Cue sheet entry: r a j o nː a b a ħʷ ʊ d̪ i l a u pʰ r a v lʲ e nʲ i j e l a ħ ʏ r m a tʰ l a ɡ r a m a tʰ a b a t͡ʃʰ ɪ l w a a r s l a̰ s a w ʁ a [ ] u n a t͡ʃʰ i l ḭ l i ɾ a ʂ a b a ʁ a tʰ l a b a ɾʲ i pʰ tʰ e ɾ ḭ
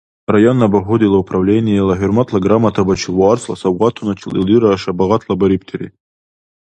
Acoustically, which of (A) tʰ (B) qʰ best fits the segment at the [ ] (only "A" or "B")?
A